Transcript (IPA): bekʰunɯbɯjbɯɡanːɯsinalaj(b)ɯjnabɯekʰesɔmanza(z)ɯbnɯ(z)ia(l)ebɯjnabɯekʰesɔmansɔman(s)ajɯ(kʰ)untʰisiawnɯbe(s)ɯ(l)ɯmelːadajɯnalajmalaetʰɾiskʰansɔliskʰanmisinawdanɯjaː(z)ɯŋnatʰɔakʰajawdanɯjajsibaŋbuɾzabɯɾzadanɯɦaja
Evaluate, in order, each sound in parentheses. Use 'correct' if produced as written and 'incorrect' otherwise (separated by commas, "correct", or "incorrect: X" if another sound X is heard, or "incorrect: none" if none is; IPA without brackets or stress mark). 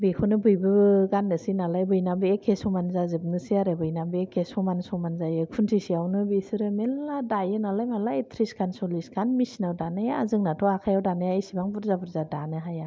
correct, correct, incorrect: s, incorrect: ɾ, incorrect: z, correct, correct, incorrect: ɾ, correct